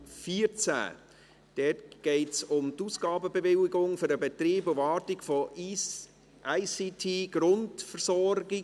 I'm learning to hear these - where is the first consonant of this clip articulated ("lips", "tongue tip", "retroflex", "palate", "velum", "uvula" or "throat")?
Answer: lips